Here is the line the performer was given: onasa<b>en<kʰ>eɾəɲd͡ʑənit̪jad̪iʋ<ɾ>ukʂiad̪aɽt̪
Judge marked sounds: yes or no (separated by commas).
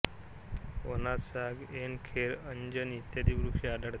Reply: no, yes, yes